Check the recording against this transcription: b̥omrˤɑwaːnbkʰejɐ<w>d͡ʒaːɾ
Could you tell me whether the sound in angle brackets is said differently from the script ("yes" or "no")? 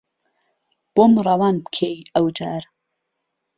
no